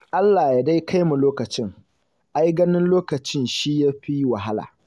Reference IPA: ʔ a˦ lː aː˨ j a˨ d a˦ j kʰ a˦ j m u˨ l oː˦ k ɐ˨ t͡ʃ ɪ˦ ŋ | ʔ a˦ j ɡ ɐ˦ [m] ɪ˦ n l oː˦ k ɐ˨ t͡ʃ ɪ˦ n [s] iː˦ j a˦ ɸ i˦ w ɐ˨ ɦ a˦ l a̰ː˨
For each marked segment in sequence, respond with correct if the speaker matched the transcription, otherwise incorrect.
incorrect: n, incorrect: ʃ

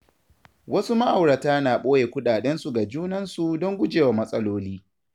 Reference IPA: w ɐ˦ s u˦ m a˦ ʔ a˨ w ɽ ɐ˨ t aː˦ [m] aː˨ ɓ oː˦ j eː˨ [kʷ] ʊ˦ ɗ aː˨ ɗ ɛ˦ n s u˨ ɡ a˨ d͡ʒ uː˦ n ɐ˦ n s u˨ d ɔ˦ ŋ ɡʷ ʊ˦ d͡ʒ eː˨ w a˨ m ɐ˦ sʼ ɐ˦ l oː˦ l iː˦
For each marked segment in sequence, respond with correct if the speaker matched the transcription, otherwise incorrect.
incorrect: n, correct

